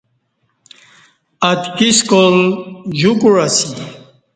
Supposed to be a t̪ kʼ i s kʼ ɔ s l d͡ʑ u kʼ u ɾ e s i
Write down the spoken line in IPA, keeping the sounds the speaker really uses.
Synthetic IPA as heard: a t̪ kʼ i s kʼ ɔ l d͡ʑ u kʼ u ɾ a s i